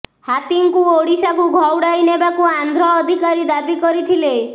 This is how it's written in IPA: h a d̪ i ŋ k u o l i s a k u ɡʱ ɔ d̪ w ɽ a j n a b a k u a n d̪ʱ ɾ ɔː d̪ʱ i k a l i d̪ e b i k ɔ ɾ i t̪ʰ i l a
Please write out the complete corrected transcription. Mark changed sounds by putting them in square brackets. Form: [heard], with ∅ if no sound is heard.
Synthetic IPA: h a [t̪] i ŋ k u o [ɽ] i s a k u ɡʱ ɔ [∅] w ɽ a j n [e] b a k u a n d̪ʱ ɾ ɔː d̪ʱ i k a [ɾ] i d̪ [a] b i k ɔ ɾ i t̪ʰ i l [e]